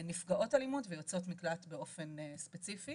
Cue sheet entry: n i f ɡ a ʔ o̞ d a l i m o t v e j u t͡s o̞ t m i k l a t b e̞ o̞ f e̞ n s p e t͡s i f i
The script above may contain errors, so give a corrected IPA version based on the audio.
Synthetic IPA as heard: n i f ɡ a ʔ o̞ t a l i m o t v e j o t͡s o̞ t m i k l a t b e̞ o̞ f e̞ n s p e t͡s i f i